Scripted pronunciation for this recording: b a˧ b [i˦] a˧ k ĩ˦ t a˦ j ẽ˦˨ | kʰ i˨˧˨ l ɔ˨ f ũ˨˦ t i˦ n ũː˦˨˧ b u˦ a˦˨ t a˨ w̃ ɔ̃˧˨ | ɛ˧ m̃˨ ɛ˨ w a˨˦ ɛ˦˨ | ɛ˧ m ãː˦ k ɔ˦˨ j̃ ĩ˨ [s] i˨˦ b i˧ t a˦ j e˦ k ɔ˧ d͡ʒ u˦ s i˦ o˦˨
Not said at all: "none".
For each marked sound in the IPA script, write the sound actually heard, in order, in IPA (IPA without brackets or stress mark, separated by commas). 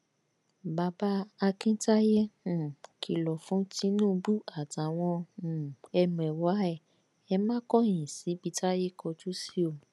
a˦, s